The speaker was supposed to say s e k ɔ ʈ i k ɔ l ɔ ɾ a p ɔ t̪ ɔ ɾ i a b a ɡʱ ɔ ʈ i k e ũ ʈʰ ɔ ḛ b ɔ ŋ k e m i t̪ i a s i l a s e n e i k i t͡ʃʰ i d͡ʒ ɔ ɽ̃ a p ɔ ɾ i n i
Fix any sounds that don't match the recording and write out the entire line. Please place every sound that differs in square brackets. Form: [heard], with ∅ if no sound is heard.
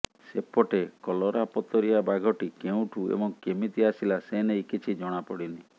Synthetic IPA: s e [p] ɔ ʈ [e] k ɔ l ɔ ɾ a p ɔ t̪ ɔ ɾ i a b a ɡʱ ɔ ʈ i k e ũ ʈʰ [u] ḛ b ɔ ŋ k e m i t̪ i a s i l a s e n e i k i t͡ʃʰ i d͡ʒ ɔ ɽ̃ a p ɔ [ɽ] i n i